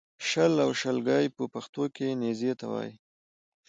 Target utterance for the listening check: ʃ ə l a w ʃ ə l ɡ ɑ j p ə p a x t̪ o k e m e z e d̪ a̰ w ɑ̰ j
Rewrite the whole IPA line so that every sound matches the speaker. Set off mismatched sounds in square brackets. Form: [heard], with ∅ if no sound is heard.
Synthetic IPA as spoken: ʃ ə l a w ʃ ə l ɡ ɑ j p ə p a x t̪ o k e [n] e z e [t̪] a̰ w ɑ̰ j